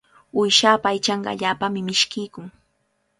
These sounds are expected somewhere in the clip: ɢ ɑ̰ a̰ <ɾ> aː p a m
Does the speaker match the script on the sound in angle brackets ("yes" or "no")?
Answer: no